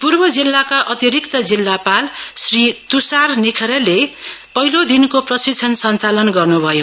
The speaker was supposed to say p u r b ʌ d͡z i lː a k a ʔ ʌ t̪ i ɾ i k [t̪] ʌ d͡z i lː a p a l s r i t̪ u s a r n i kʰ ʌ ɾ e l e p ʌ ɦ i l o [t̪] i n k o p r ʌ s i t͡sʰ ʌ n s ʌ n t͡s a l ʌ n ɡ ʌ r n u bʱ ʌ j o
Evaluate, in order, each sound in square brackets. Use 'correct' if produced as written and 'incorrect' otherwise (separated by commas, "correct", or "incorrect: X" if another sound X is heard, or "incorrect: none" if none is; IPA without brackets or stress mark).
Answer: correct, incorrect: d̪